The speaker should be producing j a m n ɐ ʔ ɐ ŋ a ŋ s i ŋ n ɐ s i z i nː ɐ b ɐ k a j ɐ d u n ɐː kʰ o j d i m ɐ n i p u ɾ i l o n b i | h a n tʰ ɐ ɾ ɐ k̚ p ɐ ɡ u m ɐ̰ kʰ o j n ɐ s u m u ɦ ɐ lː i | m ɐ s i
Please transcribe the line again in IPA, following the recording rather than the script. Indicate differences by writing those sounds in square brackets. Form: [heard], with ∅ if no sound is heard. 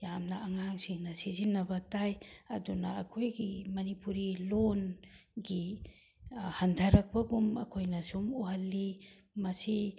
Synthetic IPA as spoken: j a m n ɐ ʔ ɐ ŋ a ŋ s i ŋ n ɐ s i z i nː ɐ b ɐ [t] a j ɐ d u n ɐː kʰ o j [ɡ] i m ɐ n i p u ɾ i l o n [ɡ] i | h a n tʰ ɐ ɾ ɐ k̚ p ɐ ɡ u m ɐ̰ kʰ o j n ɐ s u m u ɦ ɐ lː i | m ɐ s i